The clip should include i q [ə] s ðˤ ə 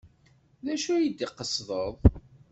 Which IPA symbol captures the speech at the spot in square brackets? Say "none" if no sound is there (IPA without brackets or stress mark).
ə